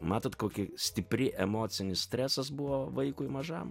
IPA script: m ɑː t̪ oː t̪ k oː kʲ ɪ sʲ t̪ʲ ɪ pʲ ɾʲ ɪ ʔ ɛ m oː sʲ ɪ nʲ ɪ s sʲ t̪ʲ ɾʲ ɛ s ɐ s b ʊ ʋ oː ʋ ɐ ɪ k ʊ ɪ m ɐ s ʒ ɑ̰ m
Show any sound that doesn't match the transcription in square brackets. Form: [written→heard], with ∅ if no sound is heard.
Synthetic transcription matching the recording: m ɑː t̪ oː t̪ k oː kʲ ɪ sʲ t̪ʲ ɪ pʲ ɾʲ ɪ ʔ ɛ m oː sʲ ɪ nʲ ɪ s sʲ t̪ʲ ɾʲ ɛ s ɐ s b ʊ ʋ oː ʋ ɐ ɪ k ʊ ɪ m ɐ [s→∅] ʒ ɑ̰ m